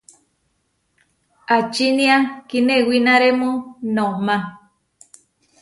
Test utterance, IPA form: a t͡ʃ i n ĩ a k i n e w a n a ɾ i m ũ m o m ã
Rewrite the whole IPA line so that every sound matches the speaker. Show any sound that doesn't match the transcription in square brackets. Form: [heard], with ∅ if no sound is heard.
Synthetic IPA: a t͡ʃ i n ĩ a k i n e w [i] n a ɾ [e] m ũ [n] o m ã